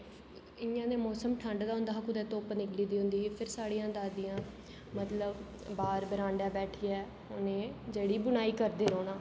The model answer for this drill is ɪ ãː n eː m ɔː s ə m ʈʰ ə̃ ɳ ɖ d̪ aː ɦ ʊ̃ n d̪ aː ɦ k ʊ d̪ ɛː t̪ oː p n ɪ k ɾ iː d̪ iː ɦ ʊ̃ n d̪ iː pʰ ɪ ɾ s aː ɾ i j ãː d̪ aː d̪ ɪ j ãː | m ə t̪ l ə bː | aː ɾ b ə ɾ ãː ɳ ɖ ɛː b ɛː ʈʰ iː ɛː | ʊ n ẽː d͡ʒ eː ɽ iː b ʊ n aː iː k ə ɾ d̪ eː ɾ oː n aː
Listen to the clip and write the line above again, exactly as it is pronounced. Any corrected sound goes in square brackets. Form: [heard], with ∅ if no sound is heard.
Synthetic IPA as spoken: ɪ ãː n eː m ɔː s ə m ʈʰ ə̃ ɳ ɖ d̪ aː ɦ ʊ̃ n d̪ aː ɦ k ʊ d̪ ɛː t̪ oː p n ɪ k [l] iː d̪ iː ɦ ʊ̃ n d̪ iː pʰ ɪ ɾ s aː [ɽ] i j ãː d̪ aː d̪ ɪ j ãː | m ə t̪ l ə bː | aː ɾ b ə ɾ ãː ɳ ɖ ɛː b ɛː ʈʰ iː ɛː | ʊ n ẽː d͡ʒ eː ɽ iː b ʊ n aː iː k ə ɾ d̪ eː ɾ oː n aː

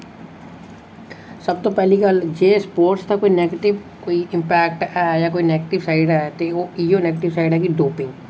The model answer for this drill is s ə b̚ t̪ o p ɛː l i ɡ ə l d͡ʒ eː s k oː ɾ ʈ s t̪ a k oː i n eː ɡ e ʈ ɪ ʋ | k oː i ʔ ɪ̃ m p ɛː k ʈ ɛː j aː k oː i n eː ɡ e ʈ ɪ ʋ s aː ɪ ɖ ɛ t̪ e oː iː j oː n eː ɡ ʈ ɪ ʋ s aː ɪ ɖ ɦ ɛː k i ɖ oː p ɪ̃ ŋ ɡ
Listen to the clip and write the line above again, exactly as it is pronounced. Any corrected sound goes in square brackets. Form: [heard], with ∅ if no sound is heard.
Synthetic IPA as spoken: s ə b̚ t̪ o p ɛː l i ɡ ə l d͡ʒ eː s [p] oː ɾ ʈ s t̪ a k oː i n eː ɡ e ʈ ɪ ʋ | k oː i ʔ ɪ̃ m p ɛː k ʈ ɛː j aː k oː i n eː ɡ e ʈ ɪ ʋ s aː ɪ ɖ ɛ t̪ e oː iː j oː n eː ɡ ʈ ɪ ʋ s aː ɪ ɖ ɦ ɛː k i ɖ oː p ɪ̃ ŋ ɡ

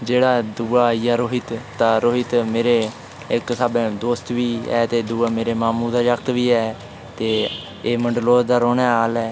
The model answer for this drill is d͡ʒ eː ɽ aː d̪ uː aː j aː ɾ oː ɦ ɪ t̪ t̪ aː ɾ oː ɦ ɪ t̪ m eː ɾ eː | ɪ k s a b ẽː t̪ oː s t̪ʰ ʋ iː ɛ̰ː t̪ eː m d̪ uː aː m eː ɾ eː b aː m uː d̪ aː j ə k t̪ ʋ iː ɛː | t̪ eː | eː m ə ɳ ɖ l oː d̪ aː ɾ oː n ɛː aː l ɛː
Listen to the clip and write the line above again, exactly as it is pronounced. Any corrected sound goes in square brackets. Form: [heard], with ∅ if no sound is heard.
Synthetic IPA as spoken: d͡ʒ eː ɽ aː d̪ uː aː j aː ɾ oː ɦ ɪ t̪ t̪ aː ɾ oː ɦ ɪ t̪ m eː ɾ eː | ɪ k s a b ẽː [d̪] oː s [t̪] ʋ iː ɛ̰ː t̪ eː [∅] d̪ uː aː m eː ɾ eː [m] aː m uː d̪ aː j ə k t̪ ʋ iː ɛː | t̪ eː | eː m ə ɳ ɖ l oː d̪ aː ɾ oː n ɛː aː l ɛː

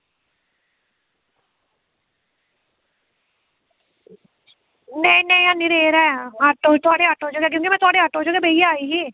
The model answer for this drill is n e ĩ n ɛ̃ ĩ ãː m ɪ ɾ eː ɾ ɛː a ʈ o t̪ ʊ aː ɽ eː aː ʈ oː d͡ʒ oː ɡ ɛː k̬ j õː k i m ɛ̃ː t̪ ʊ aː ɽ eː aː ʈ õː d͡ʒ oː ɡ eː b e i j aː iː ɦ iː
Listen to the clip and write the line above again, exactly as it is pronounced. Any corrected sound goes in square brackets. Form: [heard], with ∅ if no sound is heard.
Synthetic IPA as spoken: n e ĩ n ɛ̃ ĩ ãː [n] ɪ ɾ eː ɾ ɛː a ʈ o t̪ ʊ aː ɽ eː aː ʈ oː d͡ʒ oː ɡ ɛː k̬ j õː k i m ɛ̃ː t̪ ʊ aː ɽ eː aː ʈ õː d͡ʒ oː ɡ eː b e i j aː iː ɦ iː

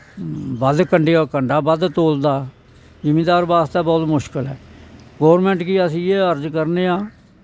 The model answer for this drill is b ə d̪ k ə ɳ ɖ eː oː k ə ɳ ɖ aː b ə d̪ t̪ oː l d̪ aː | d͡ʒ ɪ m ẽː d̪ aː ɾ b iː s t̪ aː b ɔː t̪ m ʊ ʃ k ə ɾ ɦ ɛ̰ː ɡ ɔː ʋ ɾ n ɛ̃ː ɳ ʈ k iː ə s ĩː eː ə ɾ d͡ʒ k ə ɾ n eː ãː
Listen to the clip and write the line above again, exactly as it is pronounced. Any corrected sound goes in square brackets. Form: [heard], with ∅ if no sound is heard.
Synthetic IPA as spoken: b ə d̪ k ə ɳ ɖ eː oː k ə ɳ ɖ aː b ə d̪ t̪ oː l d̪ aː | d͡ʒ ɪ m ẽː d̪ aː ɾ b [aː] s t̪ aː b ɔː t̪ m ʊ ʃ k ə [l] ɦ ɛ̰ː ɡ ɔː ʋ ɾ [m] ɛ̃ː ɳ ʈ k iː ə s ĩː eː ə ɾ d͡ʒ k ə ɾ n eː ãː

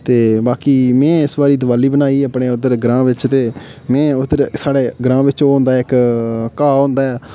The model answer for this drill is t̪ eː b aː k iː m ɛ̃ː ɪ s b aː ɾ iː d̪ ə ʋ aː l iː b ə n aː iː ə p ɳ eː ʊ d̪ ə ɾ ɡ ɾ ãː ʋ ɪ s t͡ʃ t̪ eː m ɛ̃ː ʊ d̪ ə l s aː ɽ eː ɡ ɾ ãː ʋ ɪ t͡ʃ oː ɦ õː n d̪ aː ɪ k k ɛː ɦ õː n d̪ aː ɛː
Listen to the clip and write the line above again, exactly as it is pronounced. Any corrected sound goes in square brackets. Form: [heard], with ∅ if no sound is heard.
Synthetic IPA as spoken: t̪ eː b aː k iː m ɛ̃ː ɪ s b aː ɾ iː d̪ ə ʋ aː l iː b ə n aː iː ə p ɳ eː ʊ d̪ ə ɾ ɡ ɾ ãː ʋ ɪ [∅] t͡ʃ t̪ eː m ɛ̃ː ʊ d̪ ə [ɾ] s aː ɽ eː ɡ ɾ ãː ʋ ɪ t͡ʃ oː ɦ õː n d̪ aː ɪ k k [aː] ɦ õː n d̪ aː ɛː

